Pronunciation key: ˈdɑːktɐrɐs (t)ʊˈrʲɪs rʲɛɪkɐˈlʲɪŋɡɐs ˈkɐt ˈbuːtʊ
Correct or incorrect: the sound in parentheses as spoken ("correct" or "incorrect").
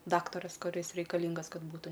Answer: incorrect